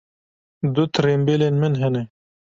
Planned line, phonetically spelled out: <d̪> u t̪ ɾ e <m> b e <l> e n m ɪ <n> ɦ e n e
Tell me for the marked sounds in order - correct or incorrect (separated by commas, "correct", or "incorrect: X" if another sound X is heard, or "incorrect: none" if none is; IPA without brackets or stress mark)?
correct, correct, correct, correct